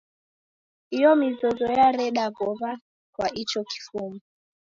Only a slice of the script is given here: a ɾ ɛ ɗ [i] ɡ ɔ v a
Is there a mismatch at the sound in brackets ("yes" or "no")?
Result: yes